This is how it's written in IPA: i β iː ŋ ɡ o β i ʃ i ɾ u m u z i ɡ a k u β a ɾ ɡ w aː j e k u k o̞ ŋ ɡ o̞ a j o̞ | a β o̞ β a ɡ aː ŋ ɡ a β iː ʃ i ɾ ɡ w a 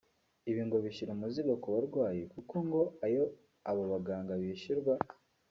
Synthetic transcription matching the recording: i β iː ŋ ɡ o β i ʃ i ɾ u m u z i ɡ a k u β a ɾ ɡ w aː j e k u k o̞ ŋ ɡ o̞ a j o̞ | a β o̞ β a ɡ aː ŋ ɡ a β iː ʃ i ɾ ɡ w a